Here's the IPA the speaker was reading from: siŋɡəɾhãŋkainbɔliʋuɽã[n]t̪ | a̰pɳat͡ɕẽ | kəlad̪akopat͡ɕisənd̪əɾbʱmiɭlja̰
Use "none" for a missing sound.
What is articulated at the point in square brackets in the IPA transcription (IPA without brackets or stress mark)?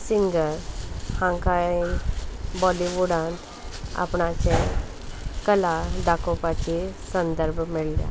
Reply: n